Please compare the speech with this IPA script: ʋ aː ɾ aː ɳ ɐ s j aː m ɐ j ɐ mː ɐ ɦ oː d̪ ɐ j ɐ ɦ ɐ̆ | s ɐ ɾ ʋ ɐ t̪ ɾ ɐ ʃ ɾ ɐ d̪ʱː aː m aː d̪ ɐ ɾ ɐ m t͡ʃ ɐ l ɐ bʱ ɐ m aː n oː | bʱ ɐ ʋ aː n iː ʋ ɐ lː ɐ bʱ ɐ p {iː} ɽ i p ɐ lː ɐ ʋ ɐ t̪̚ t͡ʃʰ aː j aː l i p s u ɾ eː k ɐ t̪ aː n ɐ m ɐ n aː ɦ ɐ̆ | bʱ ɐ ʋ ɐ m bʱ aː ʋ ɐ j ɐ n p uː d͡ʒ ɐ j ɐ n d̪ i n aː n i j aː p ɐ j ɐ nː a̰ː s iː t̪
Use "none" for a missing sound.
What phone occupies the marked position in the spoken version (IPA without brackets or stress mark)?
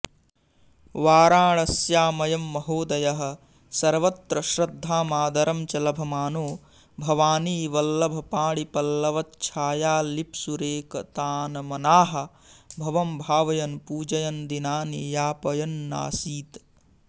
aː